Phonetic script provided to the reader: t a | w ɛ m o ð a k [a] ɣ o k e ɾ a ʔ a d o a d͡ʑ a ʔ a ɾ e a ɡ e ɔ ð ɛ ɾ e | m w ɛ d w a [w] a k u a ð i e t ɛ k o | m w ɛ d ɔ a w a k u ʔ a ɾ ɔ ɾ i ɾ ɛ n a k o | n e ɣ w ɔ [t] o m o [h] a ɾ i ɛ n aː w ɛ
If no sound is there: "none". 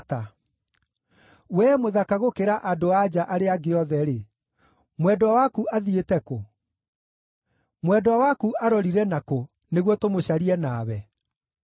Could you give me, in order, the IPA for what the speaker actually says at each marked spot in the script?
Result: a, w, t, ɕ

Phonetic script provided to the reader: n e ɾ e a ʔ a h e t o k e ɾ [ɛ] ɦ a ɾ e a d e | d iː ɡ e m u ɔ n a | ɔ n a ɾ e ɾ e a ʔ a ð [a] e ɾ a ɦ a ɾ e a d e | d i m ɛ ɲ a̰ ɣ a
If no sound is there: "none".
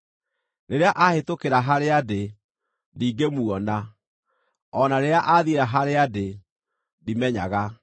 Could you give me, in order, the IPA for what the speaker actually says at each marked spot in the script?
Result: a, i

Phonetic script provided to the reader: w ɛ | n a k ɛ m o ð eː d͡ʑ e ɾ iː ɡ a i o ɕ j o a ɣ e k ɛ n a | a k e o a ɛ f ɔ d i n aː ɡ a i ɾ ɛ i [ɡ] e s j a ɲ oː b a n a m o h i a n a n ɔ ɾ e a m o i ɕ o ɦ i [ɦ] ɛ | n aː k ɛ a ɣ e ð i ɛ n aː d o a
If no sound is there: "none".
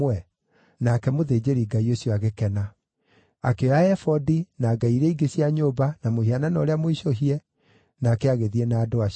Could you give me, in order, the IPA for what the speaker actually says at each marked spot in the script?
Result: ɡ, none

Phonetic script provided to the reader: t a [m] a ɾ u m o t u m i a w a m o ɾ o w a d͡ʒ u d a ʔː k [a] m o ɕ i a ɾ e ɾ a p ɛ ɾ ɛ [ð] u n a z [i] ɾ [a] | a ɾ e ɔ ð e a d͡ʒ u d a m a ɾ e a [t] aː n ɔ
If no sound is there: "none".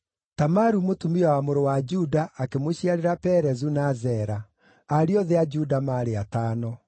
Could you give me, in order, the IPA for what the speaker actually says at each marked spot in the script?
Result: m, e, z, ɛ, a, t

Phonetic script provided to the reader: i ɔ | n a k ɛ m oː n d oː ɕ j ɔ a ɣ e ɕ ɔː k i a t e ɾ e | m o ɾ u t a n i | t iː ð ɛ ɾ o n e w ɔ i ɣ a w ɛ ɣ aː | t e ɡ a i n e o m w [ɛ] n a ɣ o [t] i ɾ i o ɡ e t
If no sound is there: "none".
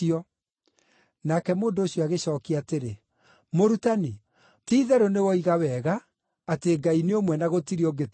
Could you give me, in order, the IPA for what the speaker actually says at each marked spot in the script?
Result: ɛ, t

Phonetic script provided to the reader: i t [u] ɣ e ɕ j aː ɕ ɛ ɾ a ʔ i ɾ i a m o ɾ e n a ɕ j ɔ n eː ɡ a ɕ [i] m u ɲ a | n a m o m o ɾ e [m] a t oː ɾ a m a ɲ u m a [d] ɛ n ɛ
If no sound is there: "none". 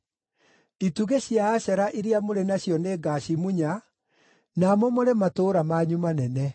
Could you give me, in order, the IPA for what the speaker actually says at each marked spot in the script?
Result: u, i, m, n

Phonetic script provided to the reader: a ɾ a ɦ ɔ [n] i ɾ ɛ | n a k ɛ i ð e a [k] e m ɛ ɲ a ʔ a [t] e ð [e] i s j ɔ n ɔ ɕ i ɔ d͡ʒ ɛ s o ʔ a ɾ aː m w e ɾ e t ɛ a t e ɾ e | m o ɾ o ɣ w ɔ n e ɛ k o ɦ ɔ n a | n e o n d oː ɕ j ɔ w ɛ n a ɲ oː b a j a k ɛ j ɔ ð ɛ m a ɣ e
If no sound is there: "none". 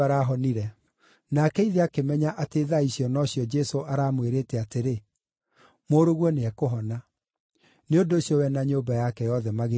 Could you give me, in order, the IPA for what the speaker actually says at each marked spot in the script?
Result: n, k, t, a

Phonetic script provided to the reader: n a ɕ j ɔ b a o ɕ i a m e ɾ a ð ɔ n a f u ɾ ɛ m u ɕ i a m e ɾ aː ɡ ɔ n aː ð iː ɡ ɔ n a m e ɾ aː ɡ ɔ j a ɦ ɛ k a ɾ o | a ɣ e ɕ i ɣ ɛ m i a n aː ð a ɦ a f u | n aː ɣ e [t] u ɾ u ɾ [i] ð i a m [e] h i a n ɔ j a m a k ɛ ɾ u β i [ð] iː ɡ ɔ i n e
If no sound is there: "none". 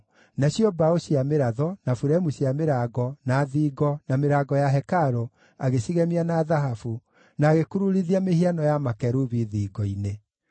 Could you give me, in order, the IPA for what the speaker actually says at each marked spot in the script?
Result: k, i, e, ð

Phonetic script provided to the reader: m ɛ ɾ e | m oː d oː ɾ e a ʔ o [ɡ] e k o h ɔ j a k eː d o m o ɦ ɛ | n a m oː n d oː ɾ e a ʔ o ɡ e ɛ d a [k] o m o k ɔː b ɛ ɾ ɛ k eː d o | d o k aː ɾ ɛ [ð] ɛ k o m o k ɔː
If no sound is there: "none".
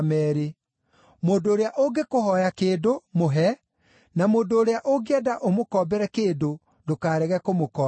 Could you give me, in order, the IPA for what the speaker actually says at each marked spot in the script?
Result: ɡ, ʔ, ɣ

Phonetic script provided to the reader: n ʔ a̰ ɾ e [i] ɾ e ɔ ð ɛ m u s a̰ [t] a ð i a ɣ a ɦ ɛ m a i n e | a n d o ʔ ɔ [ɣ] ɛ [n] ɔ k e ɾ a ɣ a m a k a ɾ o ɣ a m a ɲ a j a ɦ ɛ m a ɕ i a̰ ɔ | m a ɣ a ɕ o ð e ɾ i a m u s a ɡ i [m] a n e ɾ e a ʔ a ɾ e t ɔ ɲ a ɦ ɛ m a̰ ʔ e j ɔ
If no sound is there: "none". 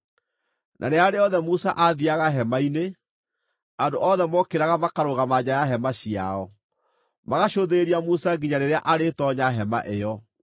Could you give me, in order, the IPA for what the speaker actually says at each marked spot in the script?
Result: a, ʔ, ð, m, ɲ

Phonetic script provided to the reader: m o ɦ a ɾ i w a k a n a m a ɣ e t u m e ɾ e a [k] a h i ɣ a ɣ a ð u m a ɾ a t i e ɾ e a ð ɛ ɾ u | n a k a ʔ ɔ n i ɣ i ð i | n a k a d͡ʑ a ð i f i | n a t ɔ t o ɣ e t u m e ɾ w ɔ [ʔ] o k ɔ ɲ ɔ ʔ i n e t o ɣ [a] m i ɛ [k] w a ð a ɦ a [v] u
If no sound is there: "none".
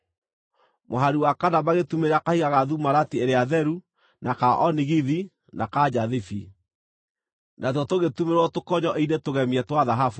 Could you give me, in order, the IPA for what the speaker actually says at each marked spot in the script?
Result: k, t, ɛ, t, f

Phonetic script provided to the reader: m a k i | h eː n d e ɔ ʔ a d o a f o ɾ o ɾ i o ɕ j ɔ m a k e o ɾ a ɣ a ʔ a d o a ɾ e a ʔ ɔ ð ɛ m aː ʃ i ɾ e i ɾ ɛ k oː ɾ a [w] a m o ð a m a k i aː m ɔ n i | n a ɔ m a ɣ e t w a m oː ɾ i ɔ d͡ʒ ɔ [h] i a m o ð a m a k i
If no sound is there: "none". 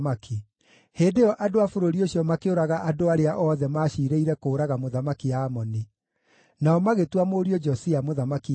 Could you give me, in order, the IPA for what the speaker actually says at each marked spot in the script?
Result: ɣ, s

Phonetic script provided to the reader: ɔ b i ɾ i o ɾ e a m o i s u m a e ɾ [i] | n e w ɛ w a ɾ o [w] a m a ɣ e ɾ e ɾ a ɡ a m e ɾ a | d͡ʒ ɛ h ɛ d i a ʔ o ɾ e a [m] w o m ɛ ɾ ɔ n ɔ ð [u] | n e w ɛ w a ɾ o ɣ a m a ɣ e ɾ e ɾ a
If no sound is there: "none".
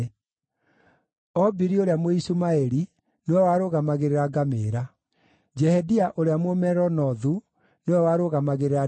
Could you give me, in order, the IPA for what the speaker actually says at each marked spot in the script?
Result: i, ɣ, m, u

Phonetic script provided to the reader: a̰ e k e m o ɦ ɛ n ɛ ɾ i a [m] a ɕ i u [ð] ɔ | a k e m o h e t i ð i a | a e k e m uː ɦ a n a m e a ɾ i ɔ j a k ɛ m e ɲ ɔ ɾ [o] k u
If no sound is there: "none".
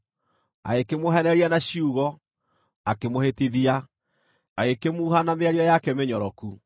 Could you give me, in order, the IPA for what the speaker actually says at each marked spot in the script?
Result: n, ɣ, ɔ

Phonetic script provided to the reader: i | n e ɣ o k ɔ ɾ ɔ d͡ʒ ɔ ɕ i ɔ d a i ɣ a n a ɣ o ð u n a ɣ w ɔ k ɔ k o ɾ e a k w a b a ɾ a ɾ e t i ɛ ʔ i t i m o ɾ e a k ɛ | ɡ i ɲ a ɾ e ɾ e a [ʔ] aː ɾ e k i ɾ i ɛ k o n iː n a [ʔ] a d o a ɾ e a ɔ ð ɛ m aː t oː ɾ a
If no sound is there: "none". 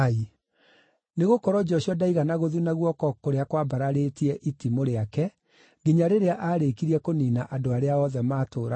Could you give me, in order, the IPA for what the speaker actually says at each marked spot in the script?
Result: ʔ, ʔ

